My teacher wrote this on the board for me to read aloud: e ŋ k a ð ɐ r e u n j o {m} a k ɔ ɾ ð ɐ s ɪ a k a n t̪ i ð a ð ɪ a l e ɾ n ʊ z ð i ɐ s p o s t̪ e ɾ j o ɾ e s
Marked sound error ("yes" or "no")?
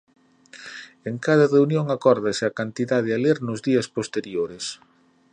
yes